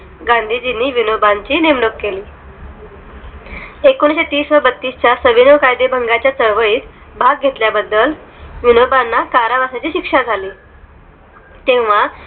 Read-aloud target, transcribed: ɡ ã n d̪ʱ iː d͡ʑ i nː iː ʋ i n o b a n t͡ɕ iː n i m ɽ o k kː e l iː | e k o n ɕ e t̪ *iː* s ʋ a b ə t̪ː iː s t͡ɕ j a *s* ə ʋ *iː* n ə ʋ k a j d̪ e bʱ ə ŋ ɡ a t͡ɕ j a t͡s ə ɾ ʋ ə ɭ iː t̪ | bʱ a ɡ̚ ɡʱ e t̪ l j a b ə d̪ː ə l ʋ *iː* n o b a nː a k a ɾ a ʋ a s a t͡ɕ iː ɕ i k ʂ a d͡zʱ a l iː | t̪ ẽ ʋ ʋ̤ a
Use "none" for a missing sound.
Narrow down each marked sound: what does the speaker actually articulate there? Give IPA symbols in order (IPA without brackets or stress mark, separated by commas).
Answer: iː, s, i, i